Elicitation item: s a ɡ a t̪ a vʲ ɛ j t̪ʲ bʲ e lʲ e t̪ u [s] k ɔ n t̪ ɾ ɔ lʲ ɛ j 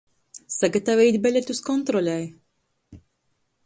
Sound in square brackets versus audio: correct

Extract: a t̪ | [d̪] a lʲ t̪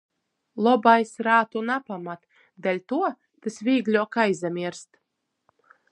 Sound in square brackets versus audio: correct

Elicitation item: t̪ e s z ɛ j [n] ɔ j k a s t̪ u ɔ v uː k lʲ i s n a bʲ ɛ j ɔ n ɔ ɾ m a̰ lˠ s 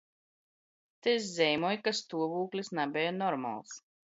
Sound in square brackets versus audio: incorrect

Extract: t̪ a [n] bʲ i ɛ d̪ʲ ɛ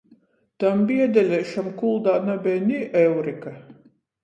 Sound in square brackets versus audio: incorrect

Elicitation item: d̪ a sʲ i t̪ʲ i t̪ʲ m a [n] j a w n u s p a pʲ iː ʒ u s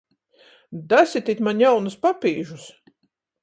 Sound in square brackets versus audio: correct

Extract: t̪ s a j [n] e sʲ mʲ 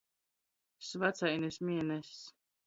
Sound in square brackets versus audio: correct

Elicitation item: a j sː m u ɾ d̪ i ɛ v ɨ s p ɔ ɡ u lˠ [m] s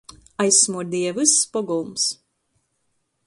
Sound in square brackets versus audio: correct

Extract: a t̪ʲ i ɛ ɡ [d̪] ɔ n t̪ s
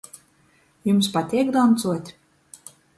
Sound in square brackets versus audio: correct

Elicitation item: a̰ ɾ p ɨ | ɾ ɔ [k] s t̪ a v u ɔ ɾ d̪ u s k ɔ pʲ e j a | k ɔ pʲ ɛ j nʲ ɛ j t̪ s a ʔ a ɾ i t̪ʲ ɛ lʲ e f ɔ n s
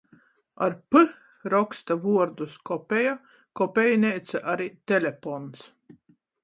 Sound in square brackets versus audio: correct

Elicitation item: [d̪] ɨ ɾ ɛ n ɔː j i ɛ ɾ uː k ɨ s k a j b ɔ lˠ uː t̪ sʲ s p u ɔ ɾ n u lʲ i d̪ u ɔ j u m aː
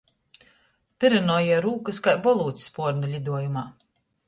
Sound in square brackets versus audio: incorrect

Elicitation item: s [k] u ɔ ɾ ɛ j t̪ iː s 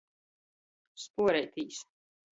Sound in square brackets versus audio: incorrect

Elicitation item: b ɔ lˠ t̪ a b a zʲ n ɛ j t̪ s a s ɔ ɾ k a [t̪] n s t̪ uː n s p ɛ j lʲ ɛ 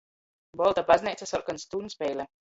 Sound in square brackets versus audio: incorrect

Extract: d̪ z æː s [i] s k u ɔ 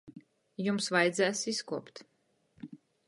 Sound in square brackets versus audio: correct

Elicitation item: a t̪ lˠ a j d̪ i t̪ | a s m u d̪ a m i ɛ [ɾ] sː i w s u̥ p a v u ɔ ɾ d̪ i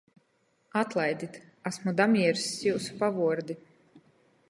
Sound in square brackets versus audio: correct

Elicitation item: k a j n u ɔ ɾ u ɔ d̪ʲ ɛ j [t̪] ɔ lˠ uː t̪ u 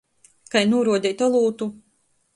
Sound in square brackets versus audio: correct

